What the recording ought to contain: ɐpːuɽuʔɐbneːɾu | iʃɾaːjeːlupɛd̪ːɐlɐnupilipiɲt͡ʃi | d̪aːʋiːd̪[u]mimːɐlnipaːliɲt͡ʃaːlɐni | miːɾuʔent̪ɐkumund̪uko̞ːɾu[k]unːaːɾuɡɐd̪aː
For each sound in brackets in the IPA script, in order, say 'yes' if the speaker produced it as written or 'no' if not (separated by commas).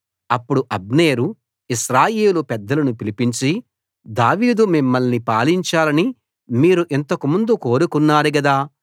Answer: yes, yes